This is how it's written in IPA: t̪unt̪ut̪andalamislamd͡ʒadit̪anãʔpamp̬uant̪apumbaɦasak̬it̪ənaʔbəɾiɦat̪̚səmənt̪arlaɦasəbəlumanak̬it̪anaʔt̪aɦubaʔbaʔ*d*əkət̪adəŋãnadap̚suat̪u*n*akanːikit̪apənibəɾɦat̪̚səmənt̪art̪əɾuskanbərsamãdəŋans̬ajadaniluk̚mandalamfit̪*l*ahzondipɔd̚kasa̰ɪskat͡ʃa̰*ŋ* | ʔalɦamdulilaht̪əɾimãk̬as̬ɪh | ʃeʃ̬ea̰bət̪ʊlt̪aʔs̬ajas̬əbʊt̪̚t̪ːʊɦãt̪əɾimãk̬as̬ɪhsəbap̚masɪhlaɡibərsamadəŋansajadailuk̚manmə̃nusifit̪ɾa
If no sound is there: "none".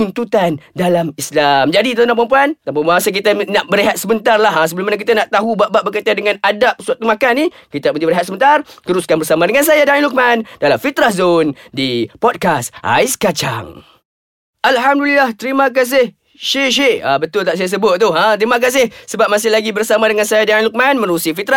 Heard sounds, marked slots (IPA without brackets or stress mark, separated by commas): b, m, ɾ, ŋ